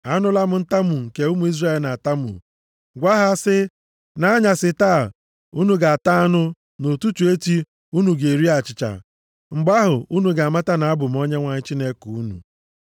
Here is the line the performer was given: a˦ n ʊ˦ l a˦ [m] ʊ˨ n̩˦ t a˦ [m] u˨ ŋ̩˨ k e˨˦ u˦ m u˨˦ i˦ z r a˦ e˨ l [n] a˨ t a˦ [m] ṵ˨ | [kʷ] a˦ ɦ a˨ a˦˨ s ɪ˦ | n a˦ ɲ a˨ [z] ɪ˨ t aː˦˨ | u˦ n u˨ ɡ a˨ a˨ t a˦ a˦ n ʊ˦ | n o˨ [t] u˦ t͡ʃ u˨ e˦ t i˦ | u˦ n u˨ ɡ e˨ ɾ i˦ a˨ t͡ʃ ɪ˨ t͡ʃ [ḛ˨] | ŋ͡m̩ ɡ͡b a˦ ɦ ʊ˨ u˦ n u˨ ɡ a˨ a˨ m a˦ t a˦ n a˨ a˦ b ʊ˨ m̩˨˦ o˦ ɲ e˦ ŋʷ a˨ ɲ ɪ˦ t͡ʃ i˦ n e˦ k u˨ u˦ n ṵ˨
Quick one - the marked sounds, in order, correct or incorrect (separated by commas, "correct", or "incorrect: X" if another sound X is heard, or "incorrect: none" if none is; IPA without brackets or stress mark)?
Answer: correct, correct, correct, correct, incorrect: ɡʷ, incorrect: s, correct, incorrect: a̰˨